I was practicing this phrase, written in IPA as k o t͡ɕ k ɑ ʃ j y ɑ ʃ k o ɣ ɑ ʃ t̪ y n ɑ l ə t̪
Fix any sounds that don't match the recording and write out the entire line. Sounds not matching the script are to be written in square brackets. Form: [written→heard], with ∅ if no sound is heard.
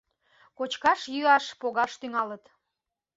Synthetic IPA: k o t͡ɕ k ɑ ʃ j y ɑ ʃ [k→p] o ɣ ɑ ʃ t̪ y [n→ŋ] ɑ l ə t̪

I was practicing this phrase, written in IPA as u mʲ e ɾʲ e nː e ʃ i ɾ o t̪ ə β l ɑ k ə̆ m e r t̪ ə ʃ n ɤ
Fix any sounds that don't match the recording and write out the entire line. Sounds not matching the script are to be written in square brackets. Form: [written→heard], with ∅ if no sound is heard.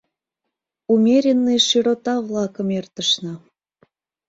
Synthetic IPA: u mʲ e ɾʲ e nː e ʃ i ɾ o t̪ [ə→ɑ] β l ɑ k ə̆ m e r t̪ ə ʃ n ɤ

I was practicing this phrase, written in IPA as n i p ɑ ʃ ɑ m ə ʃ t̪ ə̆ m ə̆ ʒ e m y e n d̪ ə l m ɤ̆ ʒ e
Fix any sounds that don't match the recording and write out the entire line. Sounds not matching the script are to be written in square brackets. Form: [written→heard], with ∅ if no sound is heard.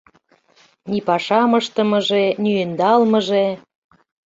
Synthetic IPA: n i p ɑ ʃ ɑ m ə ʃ t̪ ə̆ m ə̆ ʒ e [m→n] y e n d̪ [ə→ɑ] l m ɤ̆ ʒ e

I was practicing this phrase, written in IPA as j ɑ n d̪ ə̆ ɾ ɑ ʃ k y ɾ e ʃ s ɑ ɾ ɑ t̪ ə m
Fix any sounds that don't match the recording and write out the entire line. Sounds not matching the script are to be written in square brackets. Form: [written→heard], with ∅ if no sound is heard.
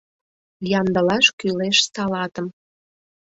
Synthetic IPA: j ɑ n d̪ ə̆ [ɾ→l] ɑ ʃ k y [ɾ→l] e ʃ s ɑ [ɾ→l] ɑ t̪ ə m

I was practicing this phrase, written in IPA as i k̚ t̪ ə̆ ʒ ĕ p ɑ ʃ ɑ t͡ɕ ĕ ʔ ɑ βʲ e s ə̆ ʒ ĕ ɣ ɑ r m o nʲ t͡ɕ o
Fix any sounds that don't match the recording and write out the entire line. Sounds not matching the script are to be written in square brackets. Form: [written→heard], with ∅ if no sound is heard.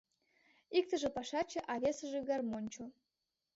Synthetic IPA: i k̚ t̪ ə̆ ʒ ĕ p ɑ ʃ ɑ t͡ɕ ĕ ʔ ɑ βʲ e s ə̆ ʒ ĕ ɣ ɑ r m o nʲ t͡ɕ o

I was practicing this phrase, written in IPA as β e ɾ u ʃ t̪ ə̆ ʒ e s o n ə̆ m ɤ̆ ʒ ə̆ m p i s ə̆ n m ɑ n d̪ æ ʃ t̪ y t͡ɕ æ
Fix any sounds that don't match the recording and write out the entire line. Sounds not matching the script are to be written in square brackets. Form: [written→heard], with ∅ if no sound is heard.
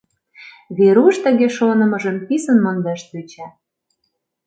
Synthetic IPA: β e ɾ u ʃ t̪ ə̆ [ʒ→ɣ] e [s→ʃ] o n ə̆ m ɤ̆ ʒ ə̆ m p i s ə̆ n m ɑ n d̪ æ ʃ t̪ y t͡ɕ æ

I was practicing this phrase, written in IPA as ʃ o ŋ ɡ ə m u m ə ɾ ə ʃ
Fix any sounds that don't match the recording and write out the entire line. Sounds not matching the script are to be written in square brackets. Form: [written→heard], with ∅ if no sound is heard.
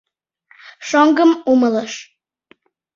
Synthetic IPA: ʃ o ŋ ɡ ə m u m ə [ɾ→l] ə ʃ

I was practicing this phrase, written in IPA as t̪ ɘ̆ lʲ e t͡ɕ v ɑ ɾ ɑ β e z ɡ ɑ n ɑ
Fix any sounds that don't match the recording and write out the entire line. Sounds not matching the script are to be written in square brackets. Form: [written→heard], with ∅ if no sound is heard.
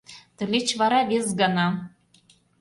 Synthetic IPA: t̪ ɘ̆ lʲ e t͡ɕ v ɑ ɾ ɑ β e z ɡ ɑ n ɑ

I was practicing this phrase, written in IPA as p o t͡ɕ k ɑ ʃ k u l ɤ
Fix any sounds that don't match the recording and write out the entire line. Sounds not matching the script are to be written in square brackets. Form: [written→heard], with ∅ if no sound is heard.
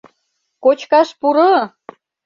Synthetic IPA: [p→k] o t͡ɕ k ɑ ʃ [k→p] u [l→ɾ] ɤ

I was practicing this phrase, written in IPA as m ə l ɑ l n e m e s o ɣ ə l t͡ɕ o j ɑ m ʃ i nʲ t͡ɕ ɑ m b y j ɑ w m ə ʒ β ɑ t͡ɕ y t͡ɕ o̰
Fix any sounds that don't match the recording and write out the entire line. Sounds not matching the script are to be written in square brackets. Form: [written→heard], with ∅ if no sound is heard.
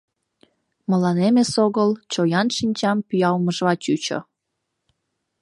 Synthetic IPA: m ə l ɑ [l→∅] n e m e s o ɣ ə l t͡ɕ o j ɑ [m→n] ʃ i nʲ t͡ɕ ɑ m [b→p] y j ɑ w m ə ʒ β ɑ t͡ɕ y t͡ɕ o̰

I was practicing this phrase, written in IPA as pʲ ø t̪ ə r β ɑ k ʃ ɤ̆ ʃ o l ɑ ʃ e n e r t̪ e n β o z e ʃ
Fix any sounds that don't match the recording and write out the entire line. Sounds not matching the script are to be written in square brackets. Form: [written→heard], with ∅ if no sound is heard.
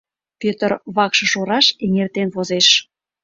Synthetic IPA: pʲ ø t̪ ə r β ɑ k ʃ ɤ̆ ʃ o [l→ɾ] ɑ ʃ e [n→ŋ] e r t̪ e n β o z e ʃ

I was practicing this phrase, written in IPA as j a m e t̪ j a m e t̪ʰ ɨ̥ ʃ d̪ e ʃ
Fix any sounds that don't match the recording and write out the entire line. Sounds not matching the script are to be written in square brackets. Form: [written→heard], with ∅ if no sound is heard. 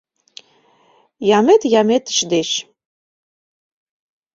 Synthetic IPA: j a m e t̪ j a m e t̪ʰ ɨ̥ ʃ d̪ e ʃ

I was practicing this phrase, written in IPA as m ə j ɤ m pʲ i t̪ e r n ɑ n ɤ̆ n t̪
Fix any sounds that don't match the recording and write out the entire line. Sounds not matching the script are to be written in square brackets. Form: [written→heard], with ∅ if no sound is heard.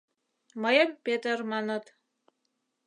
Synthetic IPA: m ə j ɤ m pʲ [i→e] t̪ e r [n→m] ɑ n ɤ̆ [n→∅] t̪

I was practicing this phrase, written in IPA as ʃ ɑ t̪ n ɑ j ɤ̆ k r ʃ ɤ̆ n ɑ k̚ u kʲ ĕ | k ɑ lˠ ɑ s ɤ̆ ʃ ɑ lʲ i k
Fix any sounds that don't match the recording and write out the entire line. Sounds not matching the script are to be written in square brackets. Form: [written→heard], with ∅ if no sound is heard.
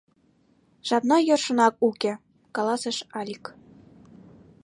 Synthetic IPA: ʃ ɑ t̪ n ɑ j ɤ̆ [k→∅] r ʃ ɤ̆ n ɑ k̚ u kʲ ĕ | k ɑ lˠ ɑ s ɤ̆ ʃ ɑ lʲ i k

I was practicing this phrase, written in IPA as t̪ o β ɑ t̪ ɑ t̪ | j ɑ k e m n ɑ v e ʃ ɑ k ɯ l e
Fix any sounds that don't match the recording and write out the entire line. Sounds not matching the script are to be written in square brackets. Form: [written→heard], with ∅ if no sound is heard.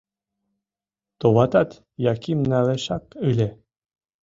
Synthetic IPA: t̪ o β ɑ t̪ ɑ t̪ | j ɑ k [e→i] m n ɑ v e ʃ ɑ k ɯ l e

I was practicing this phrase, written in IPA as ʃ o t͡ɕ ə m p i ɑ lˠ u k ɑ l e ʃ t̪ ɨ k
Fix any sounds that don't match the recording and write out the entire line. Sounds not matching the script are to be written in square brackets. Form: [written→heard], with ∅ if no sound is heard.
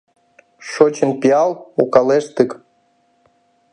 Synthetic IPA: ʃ o t͡ɕ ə [m→n] p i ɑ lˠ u k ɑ l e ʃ t̪ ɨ k

